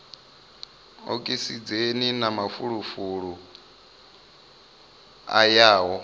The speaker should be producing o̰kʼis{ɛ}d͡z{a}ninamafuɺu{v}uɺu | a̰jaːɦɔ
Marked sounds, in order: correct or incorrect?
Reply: incorrect, incorrect, incorrect

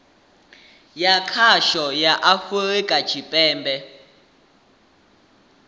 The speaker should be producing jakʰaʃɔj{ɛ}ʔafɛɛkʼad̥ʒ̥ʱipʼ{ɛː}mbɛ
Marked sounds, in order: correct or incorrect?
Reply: incorrect, correct

